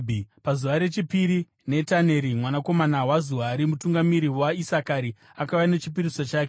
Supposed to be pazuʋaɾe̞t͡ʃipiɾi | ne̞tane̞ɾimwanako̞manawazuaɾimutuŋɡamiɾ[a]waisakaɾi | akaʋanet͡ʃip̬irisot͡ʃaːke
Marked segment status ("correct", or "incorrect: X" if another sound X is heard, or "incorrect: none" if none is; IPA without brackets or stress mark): incorrect: i